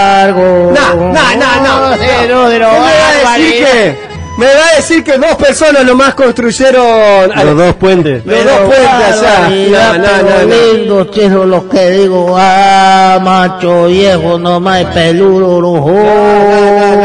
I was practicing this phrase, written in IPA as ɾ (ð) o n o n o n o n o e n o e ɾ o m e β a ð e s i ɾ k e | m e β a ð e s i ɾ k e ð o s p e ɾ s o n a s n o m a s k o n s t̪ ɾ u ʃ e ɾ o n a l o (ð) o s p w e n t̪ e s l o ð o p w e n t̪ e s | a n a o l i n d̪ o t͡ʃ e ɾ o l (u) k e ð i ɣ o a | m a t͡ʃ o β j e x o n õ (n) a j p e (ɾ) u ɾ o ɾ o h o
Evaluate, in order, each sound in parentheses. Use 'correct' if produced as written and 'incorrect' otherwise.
incorrect: ɣ, correct, incorrect: o, incorrect: m, incorrect: l

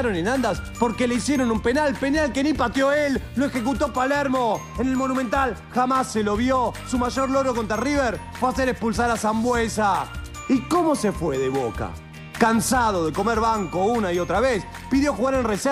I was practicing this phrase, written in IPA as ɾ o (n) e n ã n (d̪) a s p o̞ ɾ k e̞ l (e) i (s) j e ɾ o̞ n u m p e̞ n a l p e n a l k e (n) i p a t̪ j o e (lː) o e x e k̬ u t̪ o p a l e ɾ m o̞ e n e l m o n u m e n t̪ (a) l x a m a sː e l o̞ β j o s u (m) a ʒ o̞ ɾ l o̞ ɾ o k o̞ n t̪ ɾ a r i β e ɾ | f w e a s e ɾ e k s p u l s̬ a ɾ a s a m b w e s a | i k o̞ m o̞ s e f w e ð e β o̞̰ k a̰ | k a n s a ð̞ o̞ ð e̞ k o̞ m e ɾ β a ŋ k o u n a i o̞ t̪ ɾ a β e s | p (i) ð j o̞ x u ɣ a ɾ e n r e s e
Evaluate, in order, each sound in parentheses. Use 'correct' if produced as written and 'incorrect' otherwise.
correct, correct, correct, correct, correct, correct, correct, correct, correct

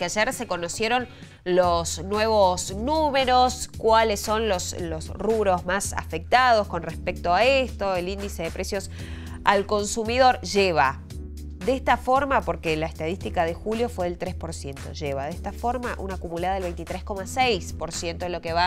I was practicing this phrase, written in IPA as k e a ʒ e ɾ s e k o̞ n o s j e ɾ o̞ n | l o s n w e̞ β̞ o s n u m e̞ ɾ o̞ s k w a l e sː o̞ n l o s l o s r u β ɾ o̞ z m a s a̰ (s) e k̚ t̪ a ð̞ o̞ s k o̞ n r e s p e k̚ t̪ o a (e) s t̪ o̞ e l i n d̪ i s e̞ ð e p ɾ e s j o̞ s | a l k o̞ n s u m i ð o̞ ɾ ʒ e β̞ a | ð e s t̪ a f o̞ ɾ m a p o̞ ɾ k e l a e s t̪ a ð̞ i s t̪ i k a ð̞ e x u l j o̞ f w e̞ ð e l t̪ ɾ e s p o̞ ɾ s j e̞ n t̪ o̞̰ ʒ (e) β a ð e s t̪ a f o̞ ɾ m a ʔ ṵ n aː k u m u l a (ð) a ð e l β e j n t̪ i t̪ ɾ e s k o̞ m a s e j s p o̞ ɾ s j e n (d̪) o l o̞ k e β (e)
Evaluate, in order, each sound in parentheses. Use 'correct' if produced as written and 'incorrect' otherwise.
incorrect: f, correct, correct, correct, incorrect: t̪, incorrect: a

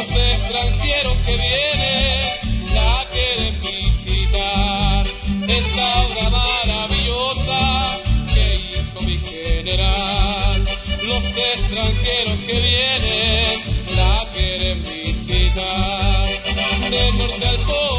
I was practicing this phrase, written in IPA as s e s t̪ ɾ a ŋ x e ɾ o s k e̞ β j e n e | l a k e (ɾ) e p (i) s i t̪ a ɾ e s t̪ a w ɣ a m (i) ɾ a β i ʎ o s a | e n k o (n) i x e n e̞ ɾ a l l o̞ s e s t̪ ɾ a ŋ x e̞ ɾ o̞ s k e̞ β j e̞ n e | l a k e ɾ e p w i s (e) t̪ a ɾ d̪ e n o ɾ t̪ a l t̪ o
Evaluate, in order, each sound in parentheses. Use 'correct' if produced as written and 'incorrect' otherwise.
correct, correct, incorrect: a, incorrect: m, incorrect: i

